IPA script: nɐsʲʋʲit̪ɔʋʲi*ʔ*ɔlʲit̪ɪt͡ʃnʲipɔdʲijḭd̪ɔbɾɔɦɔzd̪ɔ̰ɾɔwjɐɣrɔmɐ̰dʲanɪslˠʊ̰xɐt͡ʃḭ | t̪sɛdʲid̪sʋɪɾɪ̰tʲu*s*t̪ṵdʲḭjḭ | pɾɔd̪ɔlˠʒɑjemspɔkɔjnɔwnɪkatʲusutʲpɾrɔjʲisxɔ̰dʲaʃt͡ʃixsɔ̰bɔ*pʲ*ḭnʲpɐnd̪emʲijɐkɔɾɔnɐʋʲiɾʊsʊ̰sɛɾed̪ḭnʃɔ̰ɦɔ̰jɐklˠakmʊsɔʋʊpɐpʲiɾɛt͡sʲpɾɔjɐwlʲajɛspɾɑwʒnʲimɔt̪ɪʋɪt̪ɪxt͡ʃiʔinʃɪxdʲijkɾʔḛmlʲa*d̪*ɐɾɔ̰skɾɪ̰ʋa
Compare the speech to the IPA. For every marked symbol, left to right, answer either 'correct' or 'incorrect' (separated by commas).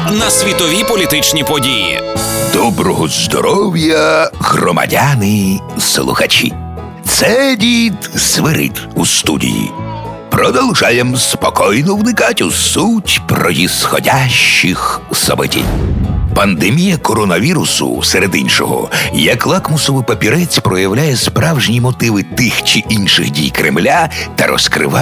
incorrect, correct, incorrect, incorrect